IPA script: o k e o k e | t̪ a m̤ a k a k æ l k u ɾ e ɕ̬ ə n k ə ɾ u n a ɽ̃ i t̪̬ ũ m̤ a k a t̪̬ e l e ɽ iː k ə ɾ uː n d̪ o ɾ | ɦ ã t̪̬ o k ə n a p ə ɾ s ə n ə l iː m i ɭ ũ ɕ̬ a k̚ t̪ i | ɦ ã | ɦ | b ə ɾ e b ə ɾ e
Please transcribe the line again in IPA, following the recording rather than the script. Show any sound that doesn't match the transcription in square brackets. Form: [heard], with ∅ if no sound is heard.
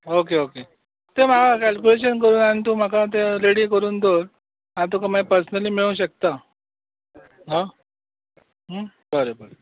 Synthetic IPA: o k e o k e | t̪ [e] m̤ a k a k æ l k u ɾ e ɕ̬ ə n k ə ɾ [uː] n a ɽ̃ i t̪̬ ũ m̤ a k a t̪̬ e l e ɽ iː k ə ɾ uː n d̪ o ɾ | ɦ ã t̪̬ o k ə [m] a p ə ɾ s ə n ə l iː m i ɭ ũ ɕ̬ [ə] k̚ t̪ [a] | ɦ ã | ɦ | b ə ɾ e b ə ɾ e